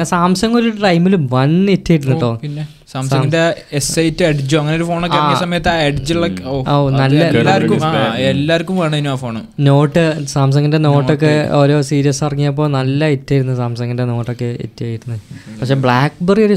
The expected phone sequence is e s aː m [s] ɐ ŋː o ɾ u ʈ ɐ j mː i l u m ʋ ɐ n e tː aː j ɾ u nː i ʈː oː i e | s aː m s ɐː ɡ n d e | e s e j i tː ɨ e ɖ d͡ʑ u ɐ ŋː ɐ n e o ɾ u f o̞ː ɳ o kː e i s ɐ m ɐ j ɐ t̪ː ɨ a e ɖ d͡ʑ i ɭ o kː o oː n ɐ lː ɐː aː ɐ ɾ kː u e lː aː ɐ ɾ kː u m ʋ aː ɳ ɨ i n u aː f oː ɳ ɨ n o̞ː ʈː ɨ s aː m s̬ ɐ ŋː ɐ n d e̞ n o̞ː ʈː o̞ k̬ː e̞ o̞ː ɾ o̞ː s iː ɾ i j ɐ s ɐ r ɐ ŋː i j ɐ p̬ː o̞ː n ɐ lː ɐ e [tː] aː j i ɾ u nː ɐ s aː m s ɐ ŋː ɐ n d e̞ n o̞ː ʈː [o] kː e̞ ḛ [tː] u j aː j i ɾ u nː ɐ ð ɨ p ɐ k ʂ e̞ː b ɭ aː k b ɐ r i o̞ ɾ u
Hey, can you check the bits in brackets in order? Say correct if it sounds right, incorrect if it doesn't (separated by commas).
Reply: correct, correct, correct, correct